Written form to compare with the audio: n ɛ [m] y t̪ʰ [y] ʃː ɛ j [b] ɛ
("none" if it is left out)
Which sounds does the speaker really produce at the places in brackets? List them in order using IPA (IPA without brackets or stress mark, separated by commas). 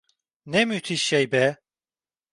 m, i, b